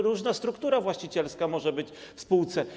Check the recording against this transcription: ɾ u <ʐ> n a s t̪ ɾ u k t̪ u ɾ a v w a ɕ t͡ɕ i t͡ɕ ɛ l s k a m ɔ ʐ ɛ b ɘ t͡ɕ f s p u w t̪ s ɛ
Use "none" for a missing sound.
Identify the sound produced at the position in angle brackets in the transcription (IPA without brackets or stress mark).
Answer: ʐ